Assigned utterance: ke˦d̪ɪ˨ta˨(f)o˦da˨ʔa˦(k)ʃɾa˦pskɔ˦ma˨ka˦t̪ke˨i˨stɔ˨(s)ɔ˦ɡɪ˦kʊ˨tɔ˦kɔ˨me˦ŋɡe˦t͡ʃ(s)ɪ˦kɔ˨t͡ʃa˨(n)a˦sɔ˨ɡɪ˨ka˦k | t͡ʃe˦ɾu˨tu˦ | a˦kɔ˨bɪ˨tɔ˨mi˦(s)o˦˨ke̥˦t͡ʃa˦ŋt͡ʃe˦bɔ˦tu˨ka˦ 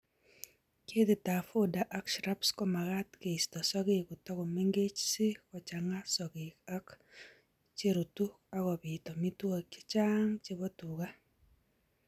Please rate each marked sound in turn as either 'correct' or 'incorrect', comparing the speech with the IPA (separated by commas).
correct, correct, correct, correct, incorrect, incorrect